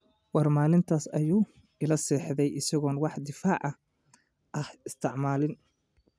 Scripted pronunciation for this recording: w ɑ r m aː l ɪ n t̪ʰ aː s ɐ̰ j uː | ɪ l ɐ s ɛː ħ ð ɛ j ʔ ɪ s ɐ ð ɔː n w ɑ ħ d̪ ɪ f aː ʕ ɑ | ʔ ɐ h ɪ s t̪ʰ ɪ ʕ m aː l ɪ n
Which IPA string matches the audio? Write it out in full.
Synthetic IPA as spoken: w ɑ r m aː l ɪ n t̪ʰ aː s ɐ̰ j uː | ɪ l ɐ s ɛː ħ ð ɛ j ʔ ɪ s ɐ ɣ ɔː n w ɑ ħ d̪ ɪ f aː ʕ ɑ | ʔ ɐ h ɪ s t̪ʰ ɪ ʕ m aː l ɪ n

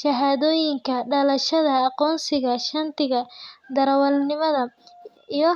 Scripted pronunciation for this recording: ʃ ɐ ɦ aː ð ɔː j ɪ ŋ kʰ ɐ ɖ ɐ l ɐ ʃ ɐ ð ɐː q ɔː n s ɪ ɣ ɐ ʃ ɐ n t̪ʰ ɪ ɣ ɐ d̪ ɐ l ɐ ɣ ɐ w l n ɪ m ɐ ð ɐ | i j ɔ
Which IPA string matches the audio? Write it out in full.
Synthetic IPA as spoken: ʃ ɐ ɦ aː ð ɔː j ɪ ŋ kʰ ɐ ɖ ɐ l ɐ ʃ ɐ ð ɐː q ɔː n s ɪ ɣ ɐ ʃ ɐ n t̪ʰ ɪ ɣ ɐ d̪ ɐ ɾ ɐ w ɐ l n ɪ m ɐ ð ɐ | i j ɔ

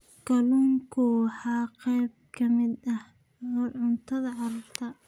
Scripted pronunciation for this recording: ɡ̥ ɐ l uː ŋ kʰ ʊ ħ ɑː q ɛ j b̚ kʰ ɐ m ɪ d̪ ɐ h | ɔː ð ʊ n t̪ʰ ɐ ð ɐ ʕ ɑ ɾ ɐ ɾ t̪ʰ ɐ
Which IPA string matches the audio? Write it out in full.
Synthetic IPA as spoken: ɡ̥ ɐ l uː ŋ kʰ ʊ ħ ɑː q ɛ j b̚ kʰ ɐ m ɪ d̪ ɐ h | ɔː ʕ ʊ n t̪ʰ ɐ ð ɐ ʕ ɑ ɾ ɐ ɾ t̪ʰ ɐ

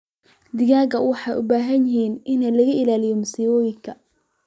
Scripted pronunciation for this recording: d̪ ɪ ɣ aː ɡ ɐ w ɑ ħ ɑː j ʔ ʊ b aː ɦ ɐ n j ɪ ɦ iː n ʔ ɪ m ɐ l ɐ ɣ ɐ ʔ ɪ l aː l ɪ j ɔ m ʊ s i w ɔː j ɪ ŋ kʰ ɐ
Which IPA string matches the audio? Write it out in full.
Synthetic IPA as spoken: d̪ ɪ ɣ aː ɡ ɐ w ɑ ħ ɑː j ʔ ʊ b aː ɦ ɐ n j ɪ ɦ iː n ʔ ɪ n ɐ l ɐ ɣ ɐ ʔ ɪ l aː l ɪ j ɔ m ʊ s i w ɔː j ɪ ŋ kʰ ɐ

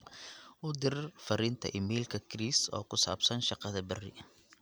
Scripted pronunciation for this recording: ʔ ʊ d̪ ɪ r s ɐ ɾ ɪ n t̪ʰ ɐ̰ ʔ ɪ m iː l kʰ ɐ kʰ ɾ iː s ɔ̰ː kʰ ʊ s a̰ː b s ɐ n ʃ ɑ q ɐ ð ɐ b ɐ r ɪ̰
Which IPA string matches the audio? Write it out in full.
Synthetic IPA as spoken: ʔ ʊ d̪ ɪ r f ɐ ɾ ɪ n t̪ʰ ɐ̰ ʔ ɪ m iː l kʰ ɐ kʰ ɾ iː s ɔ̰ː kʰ ʊ s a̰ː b s ɐ n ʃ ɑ q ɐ ð ɐ b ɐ r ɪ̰

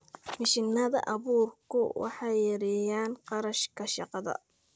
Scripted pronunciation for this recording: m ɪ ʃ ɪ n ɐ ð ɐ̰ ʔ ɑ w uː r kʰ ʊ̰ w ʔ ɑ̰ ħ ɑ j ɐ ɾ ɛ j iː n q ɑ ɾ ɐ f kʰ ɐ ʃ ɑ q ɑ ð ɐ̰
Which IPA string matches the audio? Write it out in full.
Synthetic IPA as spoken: m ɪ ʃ ɪ n ɐ ð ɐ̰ ʔ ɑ β uː r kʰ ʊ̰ w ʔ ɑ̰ ħ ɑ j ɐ ɾ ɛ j aː n q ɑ ɾ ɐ ʃ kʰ ɐ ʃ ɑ q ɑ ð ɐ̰

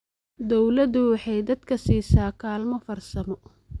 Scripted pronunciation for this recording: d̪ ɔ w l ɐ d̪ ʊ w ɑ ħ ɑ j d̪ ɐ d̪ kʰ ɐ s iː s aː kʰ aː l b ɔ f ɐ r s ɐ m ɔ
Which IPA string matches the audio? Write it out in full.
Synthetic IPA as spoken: d̪ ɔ w l ɐ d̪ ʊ w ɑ ħ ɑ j d̪ ɐ d̪ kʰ ɐ s iː s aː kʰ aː l m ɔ f ɐ r s ɐ m ɔ

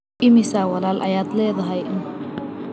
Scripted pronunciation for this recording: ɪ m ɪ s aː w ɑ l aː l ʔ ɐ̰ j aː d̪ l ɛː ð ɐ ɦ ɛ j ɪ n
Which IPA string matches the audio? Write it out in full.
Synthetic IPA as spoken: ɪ m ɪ s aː w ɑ l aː l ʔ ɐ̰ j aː d̪ l ɛː ð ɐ ɦ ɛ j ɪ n

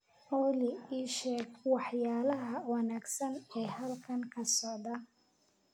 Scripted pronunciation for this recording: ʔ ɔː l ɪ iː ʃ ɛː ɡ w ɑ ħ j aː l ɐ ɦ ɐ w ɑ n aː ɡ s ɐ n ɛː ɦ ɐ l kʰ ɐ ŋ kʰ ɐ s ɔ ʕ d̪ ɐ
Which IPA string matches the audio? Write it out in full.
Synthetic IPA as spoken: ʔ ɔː l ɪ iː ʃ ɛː ɡ w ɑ ħ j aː l ɐ ɦ ɐ w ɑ n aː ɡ s ɐ n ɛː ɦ ɐ l kʰ ɐ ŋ kʰ ɐ s ɔ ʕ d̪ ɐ

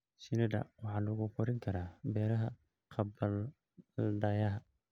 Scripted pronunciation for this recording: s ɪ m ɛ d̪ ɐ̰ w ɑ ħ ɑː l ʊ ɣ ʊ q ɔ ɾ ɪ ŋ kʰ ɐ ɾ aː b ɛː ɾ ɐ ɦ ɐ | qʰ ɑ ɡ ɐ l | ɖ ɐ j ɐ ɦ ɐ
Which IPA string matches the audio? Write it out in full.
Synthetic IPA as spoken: s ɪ n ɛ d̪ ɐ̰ w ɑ ħ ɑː l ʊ ɣ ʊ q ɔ ɾ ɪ ŋ kʰ ɐ ɾ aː b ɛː ɾ ɐ ɦ ɐ | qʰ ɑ b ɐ l | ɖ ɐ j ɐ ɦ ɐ

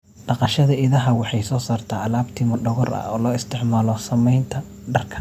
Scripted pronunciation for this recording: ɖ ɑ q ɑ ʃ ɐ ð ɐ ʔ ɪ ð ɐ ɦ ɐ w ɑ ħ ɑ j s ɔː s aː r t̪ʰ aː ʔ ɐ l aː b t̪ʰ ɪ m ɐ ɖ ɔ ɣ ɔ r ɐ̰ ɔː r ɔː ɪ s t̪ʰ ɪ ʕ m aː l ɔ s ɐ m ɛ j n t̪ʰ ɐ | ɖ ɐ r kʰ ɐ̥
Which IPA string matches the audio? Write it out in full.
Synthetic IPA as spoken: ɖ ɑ q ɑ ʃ ɐ ð ɐ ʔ ɪ ð ɐ ɦ ɐ w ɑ ħ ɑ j s ɔː s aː r t̪ʰ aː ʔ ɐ l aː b t̪ʰ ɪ m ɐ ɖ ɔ ɣ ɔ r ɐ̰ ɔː l ɔː ɪ s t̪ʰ ɪ ʕ m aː l ɔ s ɐ m ɛ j n t̪ʰ ɐ | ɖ ɐ r kʰ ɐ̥

